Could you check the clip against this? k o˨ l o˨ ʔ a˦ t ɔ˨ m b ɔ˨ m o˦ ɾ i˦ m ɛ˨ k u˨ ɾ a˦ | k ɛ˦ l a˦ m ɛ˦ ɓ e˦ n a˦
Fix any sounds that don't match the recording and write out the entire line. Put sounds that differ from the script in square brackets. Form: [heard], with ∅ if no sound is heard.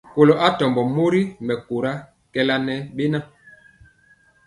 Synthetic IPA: k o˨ l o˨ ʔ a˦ t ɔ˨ m b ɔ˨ m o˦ ɾ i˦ m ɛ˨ k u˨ ɾ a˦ | k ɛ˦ l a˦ [n] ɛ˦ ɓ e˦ n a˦